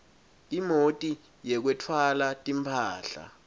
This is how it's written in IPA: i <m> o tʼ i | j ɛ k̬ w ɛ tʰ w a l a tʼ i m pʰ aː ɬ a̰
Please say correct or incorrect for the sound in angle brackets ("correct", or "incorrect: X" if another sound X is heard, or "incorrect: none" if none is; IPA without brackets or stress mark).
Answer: correct